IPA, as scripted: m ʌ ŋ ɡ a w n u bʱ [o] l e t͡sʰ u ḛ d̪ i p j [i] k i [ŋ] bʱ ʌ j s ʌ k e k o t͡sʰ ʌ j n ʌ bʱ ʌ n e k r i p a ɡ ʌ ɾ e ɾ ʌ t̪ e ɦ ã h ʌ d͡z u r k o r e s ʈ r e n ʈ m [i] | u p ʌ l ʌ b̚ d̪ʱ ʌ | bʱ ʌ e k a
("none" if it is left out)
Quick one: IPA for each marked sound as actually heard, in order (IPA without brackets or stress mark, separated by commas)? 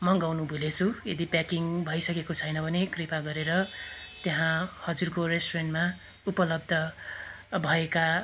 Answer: u, a, ŋ, a